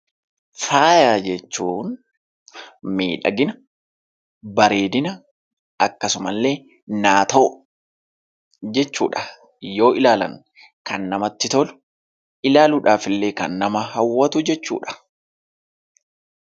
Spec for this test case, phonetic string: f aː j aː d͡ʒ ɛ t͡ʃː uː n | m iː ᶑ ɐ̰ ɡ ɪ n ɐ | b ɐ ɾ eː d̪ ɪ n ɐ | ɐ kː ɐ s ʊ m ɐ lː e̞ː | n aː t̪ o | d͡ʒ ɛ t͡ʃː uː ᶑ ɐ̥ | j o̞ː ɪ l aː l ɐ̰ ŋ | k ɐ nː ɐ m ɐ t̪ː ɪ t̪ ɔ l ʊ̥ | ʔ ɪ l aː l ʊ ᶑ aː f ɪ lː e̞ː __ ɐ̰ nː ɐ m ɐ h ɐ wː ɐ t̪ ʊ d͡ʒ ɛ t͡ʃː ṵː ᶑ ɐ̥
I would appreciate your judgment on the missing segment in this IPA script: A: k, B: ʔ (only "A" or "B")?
A